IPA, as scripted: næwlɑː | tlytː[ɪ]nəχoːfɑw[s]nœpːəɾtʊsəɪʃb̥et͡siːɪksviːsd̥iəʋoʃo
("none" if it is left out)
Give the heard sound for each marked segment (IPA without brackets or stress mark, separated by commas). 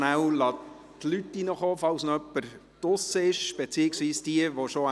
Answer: i, s